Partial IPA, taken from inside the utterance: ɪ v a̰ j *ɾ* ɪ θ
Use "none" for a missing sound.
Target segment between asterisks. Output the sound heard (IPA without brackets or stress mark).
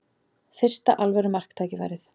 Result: ɾ